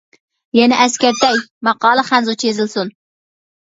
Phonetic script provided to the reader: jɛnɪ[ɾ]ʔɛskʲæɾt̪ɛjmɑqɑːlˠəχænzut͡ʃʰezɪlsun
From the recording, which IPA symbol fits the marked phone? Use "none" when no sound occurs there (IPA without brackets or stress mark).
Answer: none